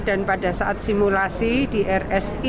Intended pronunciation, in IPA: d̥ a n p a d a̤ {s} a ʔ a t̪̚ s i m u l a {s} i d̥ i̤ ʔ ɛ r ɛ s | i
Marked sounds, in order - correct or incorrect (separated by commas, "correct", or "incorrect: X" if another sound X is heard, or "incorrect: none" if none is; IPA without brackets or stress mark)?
correct, correct